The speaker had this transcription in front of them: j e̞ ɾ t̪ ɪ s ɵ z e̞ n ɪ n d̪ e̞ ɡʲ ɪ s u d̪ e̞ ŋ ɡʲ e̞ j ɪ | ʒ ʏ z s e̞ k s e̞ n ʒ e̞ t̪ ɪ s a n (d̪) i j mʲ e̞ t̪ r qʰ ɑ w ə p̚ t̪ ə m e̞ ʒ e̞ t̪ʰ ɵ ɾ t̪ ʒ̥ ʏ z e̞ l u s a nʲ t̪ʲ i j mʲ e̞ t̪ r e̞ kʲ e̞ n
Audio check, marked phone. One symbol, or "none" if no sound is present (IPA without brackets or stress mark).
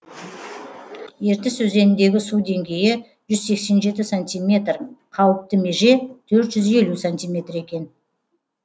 t̪